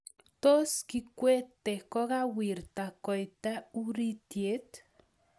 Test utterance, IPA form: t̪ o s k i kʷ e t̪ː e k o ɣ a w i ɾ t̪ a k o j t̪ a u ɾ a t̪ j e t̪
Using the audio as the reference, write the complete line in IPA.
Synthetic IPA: t̪ o s k i kʷ e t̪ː e k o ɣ a w i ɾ t̪ a k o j t̪ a u ɾ i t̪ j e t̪